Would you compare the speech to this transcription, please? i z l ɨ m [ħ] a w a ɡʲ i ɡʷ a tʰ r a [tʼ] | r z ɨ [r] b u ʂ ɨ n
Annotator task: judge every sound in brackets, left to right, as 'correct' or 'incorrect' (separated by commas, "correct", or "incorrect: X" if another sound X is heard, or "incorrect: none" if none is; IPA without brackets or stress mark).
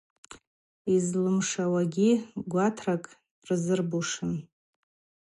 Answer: incorrect: ʂ, incorrect: kʼ, correct